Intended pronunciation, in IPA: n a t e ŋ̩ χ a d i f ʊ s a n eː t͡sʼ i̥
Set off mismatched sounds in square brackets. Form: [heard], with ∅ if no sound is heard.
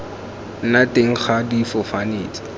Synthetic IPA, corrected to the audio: n a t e ŋ̩ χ a d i f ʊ [f] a n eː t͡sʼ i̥